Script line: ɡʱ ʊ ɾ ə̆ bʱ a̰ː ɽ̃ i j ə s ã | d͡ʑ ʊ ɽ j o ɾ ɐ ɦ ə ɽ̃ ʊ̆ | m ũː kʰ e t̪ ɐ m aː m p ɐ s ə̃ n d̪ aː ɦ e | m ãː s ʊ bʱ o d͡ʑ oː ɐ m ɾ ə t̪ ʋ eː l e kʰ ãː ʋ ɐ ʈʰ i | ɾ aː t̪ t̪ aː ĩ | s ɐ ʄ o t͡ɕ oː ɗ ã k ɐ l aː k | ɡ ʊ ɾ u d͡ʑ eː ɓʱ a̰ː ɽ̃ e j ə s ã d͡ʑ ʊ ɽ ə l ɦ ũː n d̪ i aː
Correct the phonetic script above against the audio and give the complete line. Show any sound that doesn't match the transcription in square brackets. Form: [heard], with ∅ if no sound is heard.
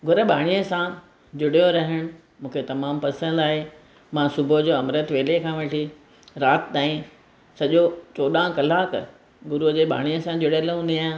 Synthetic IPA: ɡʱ ʊ ɾ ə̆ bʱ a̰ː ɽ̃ i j ə s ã | d͡ʑ ʊ ɽ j o ɾ ɐ ɦ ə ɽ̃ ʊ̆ | m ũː kʰ e t̪ ɐ m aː m p ɐ s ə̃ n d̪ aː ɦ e | m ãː s ʊ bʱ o d͡ʑ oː ɐ m ɾ ə t̪ ʋ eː l e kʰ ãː ʋ ɐ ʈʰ i | ɾ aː t̪ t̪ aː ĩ | s ɐ ʄ o t͡ɕ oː ɗ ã k ɐ l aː k | ɡ ʊ ɾ u d͡ʑ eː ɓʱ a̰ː ɽ̃ [i] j ə s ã d͡ʑ ʊ ɽ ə l ɦ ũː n d̪ i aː

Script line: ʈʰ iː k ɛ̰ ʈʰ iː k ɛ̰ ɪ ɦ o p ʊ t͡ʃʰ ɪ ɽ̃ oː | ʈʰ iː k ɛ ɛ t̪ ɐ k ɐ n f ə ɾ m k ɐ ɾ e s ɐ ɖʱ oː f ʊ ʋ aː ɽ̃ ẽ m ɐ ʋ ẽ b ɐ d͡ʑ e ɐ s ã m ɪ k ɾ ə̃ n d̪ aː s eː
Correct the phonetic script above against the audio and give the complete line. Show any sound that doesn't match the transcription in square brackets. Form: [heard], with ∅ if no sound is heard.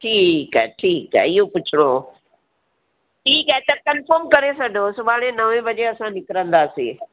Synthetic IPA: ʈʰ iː k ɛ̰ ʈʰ iː k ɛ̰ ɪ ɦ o p ʊ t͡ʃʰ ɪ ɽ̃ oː | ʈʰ iː k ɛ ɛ t̪ ɐ k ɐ n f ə ɾ m k ɐ ɾ e s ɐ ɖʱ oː [s] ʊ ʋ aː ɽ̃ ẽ [n] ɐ ʋ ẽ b ɐ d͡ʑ e ɐ s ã [n] ɪ k ɾ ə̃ n d̪ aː s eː

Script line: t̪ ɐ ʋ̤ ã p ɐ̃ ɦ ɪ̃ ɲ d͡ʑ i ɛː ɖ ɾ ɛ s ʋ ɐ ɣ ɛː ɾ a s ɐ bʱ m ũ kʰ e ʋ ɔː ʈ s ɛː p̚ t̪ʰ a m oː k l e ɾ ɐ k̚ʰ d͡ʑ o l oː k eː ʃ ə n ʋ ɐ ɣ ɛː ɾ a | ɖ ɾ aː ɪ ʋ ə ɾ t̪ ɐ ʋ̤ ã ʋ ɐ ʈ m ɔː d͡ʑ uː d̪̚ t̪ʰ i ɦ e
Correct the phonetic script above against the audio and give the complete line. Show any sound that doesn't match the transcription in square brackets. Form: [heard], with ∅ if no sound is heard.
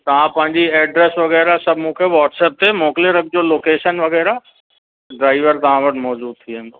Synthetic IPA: t̪ ɐ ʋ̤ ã p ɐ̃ ɦ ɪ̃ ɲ d͡ʑ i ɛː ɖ ɾ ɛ s ʋ ɐ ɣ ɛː ɾ a s ɐ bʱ m ũ kʰ e ʋ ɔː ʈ s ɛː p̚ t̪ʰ [e] m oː k l e ɾ ɐ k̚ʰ d͡ʑ o l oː k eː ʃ ə n ʋ ɐ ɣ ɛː ɾ a | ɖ ɾ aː ɪ ʋ ə ɾ t̪ ɐ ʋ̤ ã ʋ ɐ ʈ m ɔː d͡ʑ uː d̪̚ t̪ʰ i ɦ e

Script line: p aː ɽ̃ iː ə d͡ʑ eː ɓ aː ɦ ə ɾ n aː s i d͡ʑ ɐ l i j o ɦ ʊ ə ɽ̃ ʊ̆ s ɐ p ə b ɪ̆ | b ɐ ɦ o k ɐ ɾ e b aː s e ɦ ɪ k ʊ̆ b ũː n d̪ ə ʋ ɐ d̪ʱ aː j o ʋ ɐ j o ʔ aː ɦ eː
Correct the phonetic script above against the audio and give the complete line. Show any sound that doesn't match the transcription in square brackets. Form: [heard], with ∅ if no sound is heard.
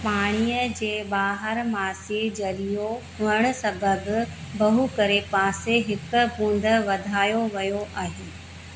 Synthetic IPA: p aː ɽ̃ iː ə d͡ʑ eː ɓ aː ɦ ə ɾ [m] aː s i d͡ʑ ɐ l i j o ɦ ʊ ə ɽ̃ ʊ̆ s ɐ [b] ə b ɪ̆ | b ɐ ɦ [u] k ɐ ɾ e [p] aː s e ɦ ɪ k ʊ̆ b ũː n d̪ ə ʋ ɐ d̪ʱ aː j o ʋ ɐ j o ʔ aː ɦ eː

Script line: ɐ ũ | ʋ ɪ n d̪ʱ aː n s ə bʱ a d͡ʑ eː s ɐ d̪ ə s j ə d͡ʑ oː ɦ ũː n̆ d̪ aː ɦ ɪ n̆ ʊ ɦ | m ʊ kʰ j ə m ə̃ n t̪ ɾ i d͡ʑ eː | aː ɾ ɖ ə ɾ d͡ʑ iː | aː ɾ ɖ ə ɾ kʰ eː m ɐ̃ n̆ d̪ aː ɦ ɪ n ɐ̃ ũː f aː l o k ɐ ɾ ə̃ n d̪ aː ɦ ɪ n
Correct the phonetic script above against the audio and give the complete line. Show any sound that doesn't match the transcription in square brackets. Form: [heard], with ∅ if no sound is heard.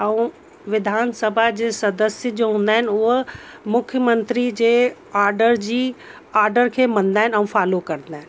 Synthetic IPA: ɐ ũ | ʋ ɪ [∅] d̪ʱ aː n s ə bʱ a d͡ʑ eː s ɐ d̪ ə s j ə d͡ʑ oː ɦ ũː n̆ d̪ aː ɦ ɪ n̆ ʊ ɦ | m ʊ kʰ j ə m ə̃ n t̪ ɾ i d͡ʑ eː | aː ɾ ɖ ə ɾ d͡ʑ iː | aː ɾ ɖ ə ɾ kʰ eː m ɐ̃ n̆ d̪ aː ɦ ɪ n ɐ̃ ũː f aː l o k ɐ ɾ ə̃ n d̪ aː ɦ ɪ n

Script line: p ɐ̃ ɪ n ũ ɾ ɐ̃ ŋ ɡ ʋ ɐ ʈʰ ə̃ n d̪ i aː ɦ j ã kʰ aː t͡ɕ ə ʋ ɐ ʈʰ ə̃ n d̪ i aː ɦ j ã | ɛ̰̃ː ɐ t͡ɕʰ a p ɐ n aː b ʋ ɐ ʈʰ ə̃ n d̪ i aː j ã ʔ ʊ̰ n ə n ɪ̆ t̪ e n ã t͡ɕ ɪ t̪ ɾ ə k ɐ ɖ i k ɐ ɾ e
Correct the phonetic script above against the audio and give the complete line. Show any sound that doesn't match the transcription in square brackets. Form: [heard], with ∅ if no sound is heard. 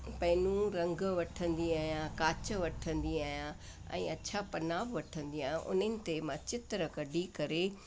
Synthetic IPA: p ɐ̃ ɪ n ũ ɾ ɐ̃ ŋ ɡ ʋ ɐ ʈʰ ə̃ n d̪ i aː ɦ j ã [k] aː t͡ɕ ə ʋ ɐ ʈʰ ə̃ n d̪ i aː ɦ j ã | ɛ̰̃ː ɐ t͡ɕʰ a p ɐ n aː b ʋ ɐ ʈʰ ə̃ n d̪ i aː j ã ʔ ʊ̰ n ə n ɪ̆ t̪ e [m] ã t͡ɕ ɪ t̪ ɾ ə k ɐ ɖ i k ɐ ɾ e

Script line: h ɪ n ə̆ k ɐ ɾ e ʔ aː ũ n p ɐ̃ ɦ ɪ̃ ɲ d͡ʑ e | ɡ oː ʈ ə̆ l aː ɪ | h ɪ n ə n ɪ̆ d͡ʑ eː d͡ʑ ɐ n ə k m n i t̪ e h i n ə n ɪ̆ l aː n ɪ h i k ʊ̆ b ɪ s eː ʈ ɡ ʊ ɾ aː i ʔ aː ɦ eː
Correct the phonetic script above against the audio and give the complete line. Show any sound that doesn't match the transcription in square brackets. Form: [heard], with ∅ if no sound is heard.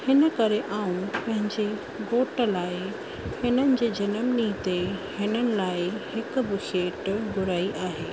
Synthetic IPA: h ɪ n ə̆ k ɐ ɾ e ʔ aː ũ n p ɐ̃ ɦ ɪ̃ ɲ d͡ʑ e | ɡ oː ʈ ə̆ l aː ɪ | h ɪ n ə n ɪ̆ d͡ʑ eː d͡ʑ ɐ n ə [∅] m n i t̪ e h [ɪ] n ə n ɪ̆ l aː [∅] ɪ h [ɪ] k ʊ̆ b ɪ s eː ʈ ɡ ʊ ɾ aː i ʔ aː ɦ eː

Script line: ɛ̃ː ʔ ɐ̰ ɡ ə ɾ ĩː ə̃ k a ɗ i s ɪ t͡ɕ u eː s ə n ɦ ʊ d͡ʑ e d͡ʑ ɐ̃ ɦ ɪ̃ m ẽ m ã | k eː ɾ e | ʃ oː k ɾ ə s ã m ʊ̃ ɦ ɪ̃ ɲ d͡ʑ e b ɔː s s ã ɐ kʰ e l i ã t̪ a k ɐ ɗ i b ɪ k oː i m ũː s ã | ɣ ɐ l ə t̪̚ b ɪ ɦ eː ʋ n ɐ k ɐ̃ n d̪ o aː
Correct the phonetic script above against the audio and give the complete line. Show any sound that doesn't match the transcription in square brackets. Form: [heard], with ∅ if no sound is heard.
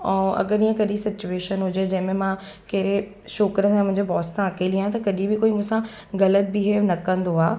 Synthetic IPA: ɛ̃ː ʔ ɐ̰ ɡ ə ɾ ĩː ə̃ k [ɐ] ɗ i s ɪ t͡ɕ u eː [ʃ] ə n ɦ ʊ d͡ʑ e d͡ʑ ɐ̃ ɦ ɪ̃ m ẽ m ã | k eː ɾ e | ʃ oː k ɾ ə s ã m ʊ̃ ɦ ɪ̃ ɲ d͡ʑ e b ɔː s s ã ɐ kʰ e l i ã t̪ [ɐ] k ɐ ɗ i b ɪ k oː i m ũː s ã | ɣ ɐ l ə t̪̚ b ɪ ɦ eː ʋ n ɐ k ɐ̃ n d̪ o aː

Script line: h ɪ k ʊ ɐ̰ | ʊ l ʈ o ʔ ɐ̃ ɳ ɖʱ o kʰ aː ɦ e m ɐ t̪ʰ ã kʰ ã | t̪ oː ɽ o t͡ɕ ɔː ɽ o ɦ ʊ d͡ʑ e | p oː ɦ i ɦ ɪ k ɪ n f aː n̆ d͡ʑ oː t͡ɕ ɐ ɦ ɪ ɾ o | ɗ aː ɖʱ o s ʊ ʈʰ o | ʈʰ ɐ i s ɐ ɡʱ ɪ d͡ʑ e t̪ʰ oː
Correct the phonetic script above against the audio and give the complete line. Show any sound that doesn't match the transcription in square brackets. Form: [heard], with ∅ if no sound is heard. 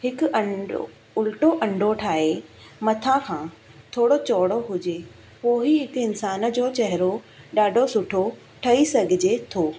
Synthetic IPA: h ɪ k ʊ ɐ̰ | ʊ l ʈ o ʔ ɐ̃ ɳ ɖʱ o [ʈʰ] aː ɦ e m ɐ t̪ʰ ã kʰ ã | [t̪ʰ] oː ɽ o t͡ɕ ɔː ɽ o ɦ ʊ d͡ʑ e | p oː ɦ i ɦ ɪ k ɪ n [s] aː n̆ d͡ʑ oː t͡ɕ ɐ ɦ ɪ ɾ o | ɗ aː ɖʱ o s ʊ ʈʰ o | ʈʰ ɐ i s ɐ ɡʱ ɪ d͡ʑ e t̪ʰ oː

